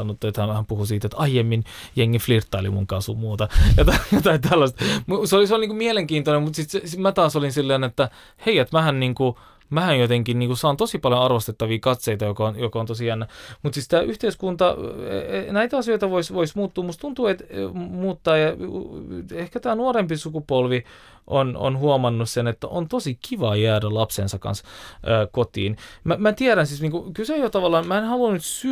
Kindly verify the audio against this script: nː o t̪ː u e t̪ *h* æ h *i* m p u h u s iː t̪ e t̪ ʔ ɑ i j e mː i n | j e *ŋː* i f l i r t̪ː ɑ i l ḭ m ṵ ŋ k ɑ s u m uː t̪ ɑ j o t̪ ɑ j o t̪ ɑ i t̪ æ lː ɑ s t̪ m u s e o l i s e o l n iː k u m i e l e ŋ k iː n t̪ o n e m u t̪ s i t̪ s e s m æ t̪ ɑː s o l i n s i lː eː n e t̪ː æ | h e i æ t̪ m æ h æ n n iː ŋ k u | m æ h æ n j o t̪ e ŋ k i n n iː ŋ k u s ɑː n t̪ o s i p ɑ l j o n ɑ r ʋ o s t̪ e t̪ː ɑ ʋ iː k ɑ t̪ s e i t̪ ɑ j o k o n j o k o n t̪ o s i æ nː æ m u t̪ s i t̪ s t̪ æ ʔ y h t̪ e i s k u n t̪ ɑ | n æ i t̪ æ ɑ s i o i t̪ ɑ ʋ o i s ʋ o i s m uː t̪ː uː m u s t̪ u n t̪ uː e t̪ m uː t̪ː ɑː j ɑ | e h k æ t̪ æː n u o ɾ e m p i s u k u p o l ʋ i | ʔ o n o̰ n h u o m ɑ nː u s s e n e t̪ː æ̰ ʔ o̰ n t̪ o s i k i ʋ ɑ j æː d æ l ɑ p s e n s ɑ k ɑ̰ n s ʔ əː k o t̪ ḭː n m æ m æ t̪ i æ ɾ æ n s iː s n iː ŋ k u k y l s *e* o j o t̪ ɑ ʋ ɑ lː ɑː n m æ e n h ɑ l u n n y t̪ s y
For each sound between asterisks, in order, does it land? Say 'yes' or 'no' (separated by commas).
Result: yes, no, yes, yes